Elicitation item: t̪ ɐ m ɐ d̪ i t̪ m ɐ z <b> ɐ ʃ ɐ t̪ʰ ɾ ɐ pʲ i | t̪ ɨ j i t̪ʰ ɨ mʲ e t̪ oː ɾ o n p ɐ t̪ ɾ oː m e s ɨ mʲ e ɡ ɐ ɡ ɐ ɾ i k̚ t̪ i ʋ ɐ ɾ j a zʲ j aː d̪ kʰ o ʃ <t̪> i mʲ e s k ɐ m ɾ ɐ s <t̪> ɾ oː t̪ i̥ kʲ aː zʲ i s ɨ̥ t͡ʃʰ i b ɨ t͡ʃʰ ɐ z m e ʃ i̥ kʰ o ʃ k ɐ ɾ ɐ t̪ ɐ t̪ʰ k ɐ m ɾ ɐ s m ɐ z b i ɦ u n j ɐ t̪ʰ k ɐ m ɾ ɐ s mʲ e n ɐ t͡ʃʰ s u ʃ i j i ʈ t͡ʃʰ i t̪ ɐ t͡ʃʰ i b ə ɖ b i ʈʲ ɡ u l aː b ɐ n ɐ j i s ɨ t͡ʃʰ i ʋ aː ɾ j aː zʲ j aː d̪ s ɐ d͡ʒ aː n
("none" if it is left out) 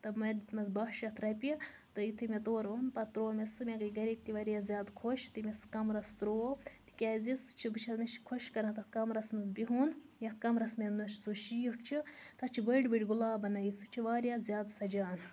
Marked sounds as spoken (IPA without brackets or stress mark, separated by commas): b, t̪, t̪